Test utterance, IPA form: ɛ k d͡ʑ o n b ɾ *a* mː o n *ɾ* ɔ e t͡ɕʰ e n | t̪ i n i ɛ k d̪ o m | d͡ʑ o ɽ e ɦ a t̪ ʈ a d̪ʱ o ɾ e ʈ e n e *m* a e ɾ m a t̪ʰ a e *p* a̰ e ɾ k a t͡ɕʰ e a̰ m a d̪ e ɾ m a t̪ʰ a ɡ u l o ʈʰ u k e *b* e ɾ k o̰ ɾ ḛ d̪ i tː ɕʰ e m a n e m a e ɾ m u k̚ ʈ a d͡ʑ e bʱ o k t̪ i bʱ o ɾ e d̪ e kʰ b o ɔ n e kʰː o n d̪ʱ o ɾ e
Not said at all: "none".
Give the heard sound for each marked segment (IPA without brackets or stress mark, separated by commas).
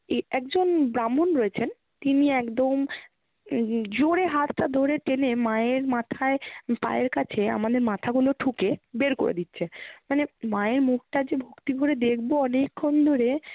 a, ɾ, m, p, b